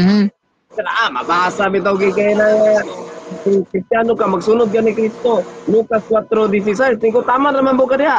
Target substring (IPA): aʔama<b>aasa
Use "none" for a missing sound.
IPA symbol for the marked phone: b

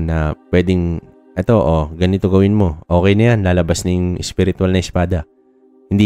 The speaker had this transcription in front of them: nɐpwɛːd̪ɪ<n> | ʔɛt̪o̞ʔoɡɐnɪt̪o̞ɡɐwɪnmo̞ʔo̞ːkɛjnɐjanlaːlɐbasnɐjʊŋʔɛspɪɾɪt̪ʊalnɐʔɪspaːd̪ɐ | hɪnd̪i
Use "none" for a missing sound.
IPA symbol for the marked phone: ŋ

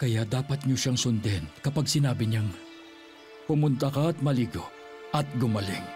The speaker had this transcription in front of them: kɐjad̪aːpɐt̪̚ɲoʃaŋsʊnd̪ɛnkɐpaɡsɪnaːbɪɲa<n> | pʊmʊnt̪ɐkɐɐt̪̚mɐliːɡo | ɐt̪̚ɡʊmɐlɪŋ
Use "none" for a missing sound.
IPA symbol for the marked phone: ŋ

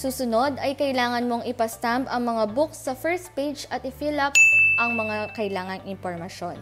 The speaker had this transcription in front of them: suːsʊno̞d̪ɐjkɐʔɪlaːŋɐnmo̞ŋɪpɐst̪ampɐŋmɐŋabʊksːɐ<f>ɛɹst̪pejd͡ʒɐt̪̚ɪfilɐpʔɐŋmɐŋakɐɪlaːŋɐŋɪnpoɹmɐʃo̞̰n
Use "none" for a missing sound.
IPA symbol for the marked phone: f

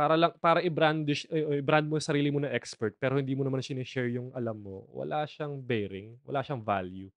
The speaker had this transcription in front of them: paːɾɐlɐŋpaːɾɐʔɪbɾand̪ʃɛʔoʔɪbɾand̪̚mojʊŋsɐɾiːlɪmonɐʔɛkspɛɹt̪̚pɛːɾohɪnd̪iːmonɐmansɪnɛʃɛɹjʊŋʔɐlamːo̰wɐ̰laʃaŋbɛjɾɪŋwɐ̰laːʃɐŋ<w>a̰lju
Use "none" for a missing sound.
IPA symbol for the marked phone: v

